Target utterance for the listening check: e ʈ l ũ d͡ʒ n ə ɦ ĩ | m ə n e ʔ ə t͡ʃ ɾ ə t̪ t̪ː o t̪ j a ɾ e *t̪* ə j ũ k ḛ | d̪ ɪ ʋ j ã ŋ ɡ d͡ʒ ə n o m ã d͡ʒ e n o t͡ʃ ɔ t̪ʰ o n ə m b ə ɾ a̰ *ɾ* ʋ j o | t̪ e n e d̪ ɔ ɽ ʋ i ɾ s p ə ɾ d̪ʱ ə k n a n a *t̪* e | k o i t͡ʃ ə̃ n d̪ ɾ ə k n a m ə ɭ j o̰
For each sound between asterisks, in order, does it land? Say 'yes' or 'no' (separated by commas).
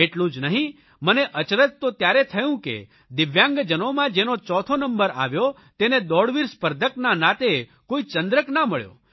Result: no, no, yes